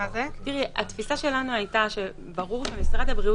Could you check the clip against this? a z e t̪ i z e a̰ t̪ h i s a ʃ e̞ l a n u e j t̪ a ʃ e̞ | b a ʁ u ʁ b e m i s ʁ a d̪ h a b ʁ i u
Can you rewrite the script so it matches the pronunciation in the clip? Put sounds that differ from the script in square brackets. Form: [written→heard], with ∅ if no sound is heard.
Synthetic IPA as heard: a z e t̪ i [z→ʁ] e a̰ t̪ [h→f] i s a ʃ e̞ l a n u [e→a] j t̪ a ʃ e̞ | b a ʁ u ʁ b e m i s ʁ a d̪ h a b ʁ i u